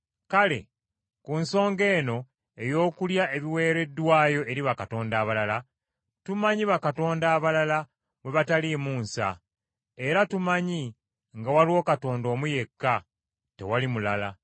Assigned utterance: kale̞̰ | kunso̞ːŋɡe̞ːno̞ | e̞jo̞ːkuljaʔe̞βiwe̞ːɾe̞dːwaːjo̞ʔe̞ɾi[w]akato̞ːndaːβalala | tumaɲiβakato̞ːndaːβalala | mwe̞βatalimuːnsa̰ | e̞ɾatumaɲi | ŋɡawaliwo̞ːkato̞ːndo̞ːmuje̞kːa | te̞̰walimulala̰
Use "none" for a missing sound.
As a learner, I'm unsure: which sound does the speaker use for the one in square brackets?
β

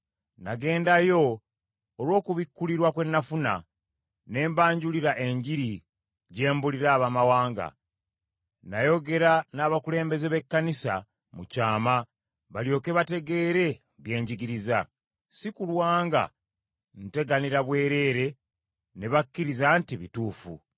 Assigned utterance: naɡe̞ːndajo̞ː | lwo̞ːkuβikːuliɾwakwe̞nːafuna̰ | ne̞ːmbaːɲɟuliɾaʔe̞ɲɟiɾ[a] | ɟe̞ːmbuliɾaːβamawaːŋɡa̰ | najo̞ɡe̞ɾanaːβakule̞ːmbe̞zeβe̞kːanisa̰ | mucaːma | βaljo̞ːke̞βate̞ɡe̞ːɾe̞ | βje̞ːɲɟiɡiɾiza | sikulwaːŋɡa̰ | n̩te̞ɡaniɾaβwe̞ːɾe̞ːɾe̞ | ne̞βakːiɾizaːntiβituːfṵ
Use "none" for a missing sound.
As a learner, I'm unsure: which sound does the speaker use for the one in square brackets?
i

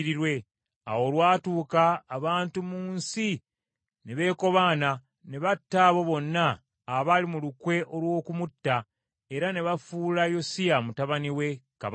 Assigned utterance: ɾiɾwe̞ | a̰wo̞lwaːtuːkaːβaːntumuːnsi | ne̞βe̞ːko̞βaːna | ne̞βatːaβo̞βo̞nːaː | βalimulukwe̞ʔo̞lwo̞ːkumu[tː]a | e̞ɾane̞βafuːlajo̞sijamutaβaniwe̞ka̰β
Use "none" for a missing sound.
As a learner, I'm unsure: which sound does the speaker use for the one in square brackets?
tː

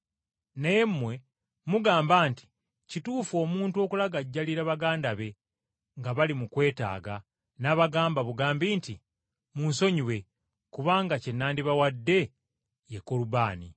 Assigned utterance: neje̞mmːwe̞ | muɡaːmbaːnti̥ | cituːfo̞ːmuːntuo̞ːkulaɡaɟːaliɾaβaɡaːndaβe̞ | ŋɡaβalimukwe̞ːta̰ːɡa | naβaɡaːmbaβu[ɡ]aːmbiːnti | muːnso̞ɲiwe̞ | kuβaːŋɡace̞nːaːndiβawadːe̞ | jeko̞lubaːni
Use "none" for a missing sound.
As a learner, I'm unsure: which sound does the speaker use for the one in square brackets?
ɡ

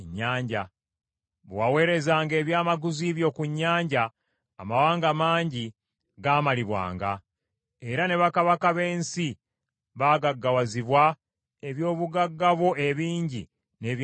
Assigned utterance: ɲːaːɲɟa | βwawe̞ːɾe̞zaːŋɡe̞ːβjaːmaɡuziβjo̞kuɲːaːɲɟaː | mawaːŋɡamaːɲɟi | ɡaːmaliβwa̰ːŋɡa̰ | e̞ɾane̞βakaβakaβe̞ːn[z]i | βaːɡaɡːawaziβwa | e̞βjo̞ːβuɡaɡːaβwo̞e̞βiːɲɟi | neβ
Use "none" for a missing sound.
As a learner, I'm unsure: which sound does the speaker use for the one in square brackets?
s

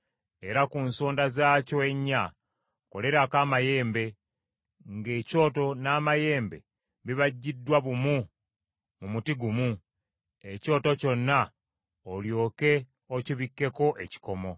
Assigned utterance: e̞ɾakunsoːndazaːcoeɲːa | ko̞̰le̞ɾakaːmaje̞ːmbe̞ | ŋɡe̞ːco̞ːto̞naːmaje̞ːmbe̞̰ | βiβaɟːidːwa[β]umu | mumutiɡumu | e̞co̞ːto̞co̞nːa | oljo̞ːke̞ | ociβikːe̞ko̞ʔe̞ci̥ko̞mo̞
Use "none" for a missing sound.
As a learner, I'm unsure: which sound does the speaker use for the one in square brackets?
β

